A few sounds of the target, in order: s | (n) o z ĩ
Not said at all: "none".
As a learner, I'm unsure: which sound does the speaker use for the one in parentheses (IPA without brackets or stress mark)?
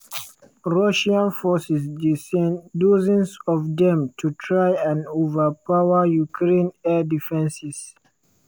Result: d